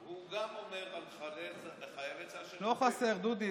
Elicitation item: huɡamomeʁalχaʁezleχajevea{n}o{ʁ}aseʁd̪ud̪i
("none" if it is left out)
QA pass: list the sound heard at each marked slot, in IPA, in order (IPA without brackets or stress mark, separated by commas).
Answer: n, χ